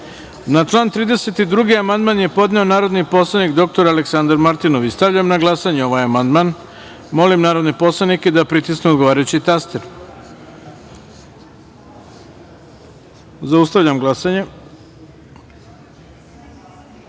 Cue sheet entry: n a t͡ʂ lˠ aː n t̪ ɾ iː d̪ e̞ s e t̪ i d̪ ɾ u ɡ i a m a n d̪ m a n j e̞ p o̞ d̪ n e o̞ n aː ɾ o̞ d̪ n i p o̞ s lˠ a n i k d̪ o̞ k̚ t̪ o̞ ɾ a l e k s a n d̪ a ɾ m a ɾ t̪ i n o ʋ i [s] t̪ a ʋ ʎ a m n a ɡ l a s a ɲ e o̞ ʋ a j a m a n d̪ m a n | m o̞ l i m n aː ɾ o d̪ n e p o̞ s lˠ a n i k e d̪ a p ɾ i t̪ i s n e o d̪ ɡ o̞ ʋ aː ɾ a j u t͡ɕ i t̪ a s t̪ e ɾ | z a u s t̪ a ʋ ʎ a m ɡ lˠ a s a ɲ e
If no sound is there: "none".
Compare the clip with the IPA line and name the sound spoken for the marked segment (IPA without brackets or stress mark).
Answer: s